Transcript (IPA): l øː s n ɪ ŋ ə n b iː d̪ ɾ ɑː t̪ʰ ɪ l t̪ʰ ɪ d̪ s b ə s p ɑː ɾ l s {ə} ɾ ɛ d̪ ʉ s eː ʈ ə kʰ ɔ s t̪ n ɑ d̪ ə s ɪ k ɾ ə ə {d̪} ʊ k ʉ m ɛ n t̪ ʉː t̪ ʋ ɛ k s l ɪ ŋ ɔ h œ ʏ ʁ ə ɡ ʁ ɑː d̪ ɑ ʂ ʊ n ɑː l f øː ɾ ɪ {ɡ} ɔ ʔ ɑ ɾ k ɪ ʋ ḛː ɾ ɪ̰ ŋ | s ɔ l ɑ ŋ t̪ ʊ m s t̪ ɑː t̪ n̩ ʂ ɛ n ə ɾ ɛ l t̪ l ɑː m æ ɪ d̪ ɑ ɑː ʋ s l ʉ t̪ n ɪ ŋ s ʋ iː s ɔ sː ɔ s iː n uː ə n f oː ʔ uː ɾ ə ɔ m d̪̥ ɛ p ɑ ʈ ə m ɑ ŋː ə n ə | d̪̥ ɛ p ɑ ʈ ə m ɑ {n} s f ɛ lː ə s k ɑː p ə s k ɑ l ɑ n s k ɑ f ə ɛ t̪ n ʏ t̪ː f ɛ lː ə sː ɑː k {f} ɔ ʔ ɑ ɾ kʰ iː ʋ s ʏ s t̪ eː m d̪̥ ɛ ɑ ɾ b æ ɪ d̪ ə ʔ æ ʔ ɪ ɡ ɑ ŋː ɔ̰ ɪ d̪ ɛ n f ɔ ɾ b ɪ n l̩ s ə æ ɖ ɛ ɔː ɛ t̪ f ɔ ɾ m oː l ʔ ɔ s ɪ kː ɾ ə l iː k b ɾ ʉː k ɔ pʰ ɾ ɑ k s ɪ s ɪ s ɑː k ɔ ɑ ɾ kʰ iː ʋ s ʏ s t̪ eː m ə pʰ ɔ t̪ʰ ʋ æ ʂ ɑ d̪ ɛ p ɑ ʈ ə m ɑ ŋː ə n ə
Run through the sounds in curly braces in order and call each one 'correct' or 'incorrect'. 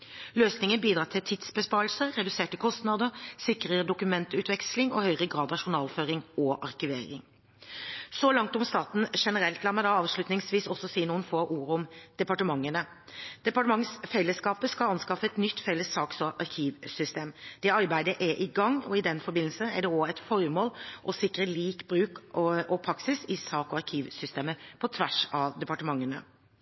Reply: correct, correct, incorrect: ŋ, incorrect: ŋ, incorrect: s

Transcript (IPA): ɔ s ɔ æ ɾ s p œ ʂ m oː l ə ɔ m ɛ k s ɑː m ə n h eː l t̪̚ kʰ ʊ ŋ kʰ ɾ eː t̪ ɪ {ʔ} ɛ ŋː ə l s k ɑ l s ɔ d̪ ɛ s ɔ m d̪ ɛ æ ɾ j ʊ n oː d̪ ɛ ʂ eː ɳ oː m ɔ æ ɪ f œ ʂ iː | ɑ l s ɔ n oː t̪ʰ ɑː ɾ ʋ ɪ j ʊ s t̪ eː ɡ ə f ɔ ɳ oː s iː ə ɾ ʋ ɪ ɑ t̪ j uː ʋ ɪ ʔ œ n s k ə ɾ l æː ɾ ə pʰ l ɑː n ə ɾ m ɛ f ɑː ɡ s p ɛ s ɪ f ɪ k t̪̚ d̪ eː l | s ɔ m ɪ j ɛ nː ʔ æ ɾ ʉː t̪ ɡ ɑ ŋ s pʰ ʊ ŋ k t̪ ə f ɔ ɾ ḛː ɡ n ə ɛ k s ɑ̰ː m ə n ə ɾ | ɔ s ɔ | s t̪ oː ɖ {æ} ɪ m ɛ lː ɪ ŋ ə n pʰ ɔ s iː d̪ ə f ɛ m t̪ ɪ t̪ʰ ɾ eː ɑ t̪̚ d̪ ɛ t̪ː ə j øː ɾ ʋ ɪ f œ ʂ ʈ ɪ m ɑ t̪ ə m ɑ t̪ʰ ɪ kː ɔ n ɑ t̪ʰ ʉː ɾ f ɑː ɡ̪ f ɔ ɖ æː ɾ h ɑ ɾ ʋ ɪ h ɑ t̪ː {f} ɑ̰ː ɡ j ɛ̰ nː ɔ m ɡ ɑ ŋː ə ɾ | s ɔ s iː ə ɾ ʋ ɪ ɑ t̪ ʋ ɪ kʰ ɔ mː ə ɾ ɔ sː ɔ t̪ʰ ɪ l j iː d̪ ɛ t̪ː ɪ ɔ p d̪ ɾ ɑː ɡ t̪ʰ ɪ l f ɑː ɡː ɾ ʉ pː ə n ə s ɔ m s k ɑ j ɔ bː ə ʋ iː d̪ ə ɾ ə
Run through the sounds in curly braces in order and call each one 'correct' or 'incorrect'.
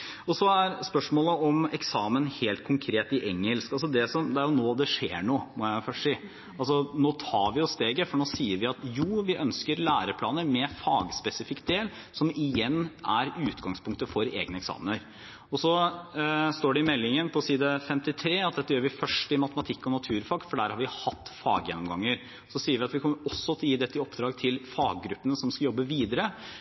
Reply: correct, incorrect: ɛ, correct

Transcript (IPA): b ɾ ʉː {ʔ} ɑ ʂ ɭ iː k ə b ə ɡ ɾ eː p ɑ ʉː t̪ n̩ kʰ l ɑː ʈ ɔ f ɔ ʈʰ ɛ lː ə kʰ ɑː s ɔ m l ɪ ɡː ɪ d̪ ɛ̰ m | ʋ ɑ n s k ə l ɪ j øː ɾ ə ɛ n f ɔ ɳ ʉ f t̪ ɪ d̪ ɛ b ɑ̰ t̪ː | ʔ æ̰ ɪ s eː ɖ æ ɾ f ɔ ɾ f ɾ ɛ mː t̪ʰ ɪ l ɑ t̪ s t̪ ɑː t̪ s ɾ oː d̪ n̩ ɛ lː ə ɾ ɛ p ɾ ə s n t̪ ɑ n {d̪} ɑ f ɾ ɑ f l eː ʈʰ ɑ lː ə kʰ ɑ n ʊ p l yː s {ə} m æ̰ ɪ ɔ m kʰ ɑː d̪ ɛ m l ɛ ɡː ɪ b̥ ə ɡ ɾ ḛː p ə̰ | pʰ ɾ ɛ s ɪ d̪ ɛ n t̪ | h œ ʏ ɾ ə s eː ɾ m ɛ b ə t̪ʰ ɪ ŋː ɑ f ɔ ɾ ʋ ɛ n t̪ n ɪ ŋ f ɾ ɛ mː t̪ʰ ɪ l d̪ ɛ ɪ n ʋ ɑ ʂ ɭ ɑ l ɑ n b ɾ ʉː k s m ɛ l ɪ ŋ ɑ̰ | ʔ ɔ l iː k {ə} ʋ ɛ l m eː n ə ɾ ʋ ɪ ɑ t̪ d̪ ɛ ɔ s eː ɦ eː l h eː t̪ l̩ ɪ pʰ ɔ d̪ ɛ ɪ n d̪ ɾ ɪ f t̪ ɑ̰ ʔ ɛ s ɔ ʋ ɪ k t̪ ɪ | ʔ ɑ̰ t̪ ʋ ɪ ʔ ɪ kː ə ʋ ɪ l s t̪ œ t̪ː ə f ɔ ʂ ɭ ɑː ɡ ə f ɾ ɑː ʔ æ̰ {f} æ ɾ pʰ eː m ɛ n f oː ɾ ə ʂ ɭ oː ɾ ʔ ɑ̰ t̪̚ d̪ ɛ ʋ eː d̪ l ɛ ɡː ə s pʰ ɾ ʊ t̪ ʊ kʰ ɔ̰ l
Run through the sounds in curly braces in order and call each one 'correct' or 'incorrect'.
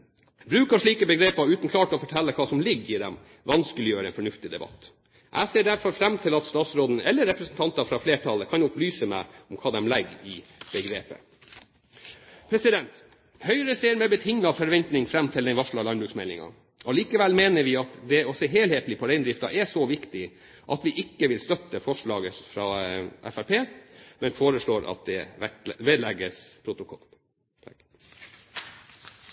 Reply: incorrect: k, incorrect: t̪, correct, correct, correct

